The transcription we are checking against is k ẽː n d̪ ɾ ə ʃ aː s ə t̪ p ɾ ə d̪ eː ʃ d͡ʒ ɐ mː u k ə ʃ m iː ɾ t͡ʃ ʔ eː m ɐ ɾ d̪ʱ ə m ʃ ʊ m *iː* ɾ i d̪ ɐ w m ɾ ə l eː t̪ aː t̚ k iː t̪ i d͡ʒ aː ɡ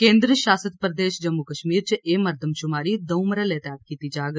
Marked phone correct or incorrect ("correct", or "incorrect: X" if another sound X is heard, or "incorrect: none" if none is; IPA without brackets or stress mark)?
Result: incorrect: aː